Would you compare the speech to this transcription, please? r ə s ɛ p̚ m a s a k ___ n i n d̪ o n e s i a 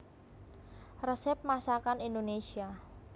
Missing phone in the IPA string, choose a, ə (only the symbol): a